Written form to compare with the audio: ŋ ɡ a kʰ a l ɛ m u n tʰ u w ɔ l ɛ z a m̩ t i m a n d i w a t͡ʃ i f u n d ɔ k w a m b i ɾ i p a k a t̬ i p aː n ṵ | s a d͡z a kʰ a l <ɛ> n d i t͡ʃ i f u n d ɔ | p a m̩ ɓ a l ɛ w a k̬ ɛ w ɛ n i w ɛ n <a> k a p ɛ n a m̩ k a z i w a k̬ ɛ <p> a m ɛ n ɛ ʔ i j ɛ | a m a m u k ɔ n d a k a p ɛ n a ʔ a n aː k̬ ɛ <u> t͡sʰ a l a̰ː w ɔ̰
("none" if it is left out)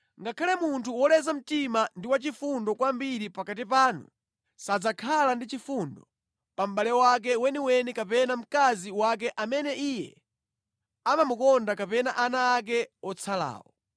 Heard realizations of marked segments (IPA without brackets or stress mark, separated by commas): a, i, ʔ, ɔ